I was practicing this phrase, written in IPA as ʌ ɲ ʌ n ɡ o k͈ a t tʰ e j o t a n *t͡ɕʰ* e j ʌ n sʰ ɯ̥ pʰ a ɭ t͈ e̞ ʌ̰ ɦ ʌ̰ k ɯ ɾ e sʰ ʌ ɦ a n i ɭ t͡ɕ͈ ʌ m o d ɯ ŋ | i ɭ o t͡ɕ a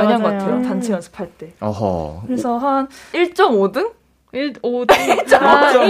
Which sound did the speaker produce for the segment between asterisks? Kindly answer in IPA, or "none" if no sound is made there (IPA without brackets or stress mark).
t͡ɕʰ